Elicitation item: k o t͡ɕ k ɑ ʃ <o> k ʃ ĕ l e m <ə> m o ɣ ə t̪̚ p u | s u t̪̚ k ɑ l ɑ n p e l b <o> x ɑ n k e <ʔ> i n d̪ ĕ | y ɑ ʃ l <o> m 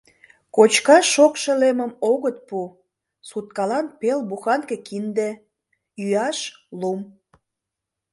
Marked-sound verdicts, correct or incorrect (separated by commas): correct, correct, incorrect, incorrect, incorrect